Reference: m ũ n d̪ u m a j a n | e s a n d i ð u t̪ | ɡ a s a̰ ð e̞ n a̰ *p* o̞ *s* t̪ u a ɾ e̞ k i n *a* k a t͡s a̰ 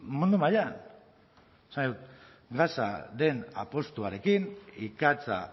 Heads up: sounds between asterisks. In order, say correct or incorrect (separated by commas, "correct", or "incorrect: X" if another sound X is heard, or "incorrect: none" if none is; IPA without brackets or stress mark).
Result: correct, correct, incorrect: i